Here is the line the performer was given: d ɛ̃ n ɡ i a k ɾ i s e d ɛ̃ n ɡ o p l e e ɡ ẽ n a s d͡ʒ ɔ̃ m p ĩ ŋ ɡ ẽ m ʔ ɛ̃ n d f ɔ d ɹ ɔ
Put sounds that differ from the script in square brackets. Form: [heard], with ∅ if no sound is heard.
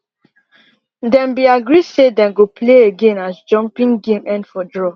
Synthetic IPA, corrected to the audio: d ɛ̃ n [b] i a [ɡ] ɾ i s e d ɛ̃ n ɡ o p l e e ɡ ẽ n a s d͡ʒ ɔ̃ m p ĩ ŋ ɡ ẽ m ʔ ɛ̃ n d f ɔ d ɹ ɔ